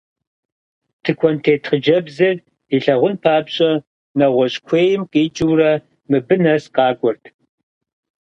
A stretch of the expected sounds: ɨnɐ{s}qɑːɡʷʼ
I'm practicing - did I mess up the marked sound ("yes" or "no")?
no